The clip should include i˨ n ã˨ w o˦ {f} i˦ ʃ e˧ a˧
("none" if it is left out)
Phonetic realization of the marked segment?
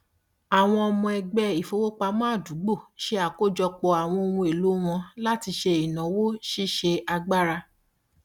ʃ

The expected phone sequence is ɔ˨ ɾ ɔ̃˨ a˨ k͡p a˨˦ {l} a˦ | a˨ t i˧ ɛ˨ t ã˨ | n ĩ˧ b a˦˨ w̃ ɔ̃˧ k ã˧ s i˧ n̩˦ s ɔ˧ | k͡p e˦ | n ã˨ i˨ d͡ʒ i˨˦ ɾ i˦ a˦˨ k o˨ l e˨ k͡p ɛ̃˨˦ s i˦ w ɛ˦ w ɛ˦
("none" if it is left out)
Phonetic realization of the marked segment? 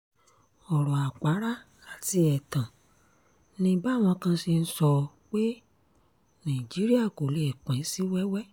ɾ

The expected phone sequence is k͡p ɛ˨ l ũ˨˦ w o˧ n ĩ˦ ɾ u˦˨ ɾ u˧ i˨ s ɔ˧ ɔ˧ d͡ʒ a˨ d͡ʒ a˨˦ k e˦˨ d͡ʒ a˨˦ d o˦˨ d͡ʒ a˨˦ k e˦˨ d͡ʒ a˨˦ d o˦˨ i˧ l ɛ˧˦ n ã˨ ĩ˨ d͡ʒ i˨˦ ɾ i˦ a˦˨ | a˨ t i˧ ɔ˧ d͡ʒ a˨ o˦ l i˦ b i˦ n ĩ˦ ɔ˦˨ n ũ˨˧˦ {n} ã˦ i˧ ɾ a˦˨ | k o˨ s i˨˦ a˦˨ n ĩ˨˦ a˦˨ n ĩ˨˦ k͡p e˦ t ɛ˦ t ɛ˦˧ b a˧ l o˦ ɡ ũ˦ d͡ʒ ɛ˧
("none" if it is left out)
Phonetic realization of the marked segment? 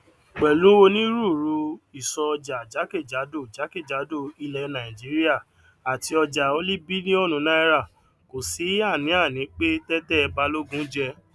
n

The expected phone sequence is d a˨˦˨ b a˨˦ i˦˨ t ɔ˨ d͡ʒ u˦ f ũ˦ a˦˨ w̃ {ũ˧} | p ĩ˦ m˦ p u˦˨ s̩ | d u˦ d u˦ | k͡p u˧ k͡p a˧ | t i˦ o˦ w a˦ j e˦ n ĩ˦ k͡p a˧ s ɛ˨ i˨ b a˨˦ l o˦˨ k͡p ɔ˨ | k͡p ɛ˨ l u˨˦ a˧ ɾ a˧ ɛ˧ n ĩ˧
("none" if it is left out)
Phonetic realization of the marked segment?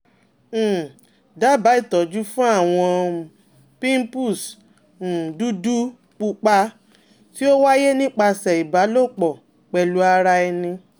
ɔ̃˧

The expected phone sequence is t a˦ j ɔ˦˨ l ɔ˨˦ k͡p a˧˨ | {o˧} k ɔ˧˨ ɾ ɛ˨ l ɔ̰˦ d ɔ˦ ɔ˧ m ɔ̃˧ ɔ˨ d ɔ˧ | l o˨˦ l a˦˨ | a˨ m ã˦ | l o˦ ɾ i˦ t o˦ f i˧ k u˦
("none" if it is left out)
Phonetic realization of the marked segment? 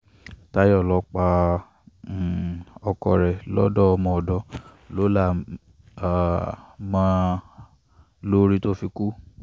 ɔ˧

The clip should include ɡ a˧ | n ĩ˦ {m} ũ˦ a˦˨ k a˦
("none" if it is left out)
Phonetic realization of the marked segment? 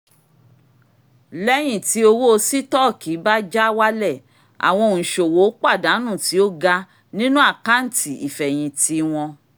n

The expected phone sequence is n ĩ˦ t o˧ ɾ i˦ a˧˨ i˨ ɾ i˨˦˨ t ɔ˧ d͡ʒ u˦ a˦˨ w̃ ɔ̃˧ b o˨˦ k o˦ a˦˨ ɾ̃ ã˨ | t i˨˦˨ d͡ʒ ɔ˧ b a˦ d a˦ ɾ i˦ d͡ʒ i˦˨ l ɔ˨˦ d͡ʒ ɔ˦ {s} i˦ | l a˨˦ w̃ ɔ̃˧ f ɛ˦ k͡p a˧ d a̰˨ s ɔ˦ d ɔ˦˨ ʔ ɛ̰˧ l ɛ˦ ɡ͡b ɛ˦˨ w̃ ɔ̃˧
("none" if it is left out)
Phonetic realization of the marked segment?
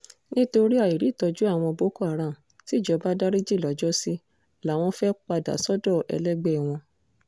s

